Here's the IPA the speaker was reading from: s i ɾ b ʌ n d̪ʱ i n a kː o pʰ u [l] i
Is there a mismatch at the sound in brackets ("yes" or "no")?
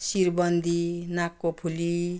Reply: no